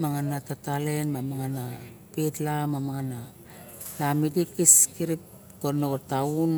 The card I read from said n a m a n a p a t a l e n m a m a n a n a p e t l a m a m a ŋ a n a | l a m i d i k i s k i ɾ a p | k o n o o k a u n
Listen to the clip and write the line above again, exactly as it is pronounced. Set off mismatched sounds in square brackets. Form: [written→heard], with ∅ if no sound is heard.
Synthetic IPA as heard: [n→m] a [m→ŋ] a n a [p→t] a t a l e n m a m a [n→ŋ] a n a p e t l a m a m a ŋ a n a | l a m i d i k i s k i ɾ [a→i] p | k o n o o [k→t] a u n